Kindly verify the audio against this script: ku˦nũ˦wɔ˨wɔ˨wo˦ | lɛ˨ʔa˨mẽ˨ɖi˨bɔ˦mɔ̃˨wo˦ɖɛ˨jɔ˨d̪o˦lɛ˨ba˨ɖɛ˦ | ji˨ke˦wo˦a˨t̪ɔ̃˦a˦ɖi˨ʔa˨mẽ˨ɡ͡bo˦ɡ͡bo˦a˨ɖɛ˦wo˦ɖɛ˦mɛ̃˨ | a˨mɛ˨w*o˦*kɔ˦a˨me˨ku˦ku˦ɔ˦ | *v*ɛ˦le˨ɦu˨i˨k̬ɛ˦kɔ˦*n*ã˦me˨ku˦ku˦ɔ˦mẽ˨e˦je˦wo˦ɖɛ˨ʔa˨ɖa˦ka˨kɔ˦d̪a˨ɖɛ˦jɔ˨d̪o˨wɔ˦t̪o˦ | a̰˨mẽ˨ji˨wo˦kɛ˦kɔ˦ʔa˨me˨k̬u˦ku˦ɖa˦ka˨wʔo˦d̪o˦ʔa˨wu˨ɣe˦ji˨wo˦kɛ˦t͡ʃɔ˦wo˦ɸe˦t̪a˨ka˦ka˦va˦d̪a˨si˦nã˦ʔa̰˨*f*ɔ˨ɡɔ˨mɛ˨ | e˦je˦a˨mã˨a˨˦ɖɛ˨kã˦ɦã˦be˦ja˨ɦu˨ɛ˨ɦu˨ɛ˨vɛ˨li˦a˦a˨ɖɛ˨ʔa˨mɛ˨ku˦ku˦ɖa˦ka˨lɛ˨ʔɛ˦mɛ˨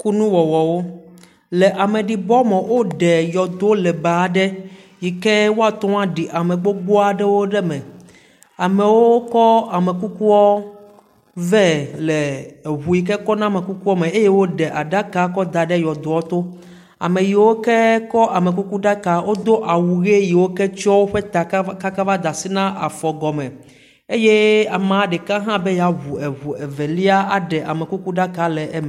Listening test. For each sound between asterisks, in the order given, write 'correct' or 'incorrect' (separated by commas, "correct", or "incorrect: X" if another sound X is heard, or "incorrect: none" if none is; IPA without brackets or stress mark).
correct, correct, correct, correct